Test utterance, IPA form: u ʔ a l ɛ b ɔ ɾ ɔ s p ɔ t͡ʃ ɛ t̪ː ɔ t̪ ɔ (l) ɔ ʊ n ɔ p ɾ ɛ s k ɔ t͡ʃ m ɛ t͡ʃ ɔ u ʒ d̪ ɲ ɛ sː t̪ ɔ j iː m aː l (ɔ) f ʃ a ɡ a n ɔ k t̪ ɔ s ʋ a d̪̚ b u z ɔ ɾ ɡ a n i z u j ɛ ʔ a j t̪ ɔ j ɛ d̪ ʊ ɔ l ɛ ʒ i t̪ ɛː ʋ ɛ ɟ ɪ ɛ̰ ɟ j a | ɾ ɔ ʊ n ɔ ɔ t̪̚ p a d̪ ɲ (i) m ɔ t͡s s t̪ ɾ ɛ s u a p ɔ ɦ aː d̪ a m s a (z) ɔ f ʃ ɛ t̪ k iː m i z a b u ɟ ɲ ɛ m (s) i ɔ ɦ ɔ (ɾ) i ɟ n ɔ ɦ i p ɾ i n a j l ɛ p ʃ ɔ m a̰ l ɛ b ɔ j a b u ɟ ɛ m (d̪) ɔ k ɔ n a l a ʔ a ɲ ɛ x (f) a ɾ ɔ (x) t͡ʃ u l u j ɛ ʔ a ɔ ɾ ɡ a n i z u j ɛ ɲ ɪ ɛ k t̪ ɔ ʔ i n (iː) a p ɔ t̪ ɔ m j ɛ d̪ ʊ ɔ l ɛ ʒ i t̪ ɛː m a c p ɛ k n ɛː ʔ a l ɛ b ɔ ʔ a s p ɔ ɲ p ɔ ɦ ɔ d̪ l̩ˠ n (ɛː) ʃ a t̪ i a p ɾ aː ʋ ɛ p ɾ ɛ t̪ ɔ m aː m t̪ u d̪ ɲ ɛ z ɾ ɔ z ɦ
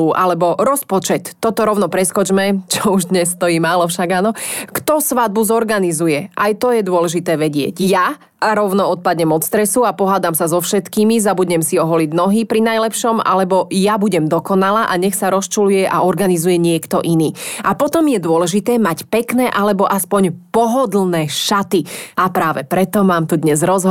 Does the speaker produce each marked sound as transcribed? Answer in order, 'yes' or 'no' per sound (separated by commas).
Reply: no, yes, no, yes, yes, no, yes, no, no, yes, yes